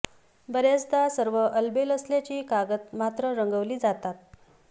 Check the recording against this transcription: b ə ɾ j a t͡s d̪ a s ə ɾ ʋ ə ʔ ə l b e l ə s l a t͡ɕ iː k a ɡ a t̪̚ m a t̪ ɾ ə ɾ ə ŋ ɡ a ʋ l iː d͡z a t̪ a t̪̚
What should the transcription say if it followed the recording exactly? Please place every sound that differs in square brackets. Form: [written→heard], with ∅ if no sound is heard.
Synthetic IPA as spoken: b ə ɾ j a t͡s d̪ a s ə ɾ ʋ ə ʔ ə l b e l ə s l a t͡ɕ iː k a ɡ [a→ə] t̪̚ m a t̪ ɾ ə ɾ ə ŋ ɡ [a→ə] ʋ l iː d͡z a t̪ a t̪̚